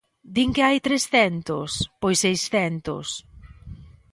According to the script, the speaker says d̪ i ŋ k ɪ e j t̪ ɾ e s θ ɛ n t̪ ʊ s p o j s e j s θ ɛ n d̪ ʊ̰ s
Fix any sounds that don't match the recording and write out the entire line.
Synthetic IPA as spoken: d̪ i ŋ k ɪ a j t̪ ɾ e s θ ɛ n t̪ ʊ s p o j s e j s θ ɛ n t̪ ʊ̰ s